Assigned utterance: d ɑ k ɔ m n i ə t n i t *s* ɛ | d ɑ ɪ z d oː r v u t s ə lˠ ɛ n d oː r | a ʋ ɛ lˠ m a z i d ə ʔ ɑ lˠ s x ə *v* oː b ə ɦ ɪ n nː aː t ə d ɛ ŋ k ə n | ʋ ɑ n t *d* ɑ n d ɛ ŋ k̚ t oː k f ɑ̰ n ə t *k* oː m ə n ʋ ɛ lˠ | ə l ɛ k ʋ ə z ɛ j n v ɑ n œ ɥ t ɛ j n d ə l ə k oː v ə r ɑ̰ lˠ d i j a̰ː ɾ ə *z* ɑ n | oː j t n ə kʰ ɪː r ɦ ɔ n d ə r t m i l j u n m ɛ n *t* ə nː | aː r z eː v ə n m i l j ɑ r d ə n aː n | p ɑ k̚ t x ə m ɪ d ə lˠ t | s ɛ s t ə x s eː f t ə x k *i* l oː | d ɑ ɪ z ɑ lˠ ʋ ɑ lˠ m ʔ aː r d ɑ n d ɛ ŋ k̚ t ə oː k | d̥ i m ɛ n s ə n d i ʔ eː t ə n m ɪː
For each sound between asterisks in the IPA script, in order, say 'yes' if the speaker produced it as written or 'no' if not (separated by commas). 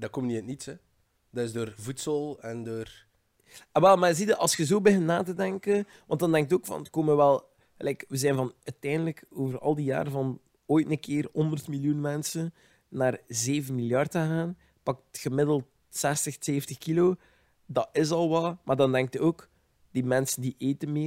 yes, no, yes, yes, no, no, yes